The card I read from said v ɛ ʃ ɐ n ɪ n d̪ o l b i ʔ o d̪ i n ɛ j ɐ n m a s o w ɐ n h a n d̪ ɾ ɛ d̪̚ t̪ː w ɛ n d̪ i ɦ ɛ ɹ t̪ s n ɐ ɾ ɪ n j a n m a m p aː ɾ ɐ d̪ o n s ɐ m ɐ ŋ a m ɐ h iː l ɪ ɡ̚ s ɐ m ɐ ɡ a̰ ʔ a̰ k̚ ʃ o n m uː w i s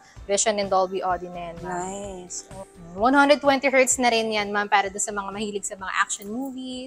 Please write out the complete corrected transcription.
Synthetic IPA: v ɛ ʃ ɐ n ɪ n d̪ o l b i ʔ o d̪ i n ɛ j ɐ n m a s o w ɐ n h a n d̪ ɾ ɛ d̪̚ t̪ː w ɛ n t̪ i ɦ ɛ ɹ t̪ s n ɐ ɾ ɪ n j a n m a m p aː ɾ ɐ d̪ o n s ɐ m ɐ ŋ a m ɐ h iː l ɪ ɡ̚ s ɐ m ɐ ŋ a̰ ʔ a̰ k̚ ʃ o n m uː v i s